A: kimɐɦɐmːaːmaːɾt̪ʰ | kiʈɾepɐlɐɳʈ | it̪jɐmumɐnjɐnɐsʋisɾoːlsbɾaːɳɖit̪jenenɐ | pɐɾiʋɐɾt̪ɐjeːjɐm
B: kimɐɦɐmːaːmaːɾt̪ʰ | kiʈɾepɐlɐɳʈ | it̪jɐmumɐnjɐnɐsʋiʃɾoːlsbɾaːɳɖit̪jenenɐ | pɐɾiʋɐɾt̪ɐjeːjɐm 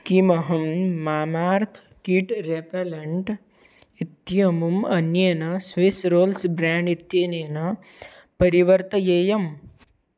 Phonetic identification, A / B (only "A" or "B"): A